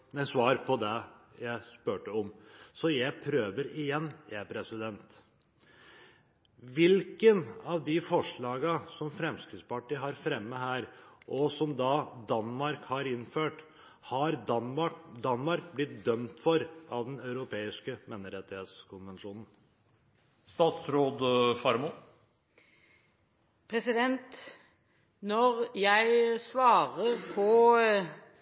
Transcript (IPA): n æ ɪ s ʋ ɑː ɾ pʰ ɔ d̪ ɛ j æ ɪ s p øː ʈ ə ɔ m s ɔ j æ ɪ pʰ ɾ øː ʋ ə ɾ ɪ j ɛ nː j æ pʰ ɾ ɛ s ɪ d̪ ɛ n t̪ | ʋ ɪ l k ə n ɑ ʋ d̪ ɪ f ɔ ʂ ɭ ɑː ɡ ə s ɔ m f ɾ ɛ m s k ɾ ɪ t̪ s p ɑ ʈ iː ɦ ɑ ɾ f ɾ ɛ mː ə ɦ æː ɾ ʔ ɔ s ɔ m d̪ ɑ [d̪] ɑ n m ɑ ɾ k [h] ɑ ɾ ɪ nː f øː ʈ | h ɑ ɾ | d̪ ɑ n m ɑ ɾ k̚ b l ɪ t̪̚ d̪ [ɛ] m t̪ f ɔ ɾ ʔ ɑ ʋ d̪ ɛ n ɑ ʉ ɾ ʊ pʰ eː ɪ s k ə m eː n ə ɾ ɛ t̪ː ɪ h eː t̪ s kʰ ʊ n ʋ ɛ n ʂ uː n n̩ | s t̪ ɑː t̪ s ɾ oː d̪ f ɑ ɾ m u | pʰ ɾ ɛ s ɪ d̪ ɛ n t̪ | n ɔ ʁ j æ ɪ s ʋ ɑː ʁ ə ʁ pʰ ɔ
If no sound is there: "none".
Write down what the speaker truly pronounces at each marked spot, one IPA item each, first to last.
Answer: d̪, h, œ

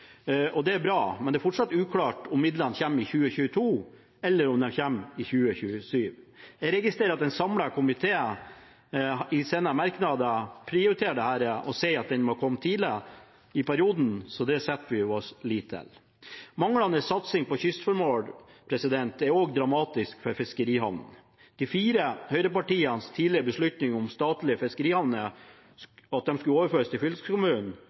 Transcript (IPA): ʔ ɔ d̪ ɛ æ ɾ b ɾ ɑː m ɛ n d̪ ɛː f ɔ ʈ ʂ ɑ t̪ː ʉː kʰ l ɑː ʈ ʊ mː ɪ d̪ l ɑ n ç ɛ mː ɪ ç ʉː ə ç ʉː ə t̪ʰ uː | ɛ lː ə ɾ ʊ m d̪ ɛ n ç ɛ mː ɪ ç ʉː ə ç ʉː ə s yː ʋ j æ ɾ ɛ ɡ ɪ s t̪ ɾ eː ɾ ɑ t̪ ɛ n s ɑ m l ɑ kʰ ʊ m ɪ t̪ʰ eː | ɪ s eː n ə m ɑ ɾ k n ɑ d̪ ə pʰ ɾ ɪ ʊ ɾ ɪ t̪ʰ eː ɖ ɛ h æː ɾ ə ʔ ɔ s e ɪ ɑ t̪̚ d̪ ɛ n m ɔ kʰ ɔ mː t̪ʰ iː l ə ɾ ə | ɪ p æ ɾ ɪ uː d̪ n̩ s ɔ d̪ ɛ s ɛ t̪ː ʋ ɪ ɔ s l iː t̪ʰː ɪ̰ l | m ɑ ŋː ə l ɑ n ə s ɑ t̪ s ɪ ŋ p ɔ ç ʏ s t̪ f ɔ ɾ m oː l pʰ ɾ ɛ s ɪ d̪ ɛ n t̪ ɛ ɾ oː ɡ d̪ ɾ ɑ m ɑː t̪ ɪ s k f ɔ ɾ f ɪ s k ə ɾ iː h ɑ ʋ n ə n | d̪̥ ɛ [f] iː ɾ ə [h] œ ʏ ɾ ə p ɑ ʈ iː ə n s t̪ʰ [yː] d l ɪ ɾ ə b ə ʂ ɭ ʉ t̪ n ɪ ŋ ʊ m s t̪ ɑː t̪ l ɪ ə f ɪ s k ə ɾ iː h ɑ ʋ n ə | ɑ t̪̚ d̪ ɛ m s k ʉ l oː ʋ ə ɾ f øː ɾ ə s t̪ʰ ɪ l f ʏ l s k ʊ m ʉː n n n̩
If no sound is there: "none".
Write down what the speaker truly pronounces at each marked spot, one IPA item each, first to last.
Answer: f, h, iː

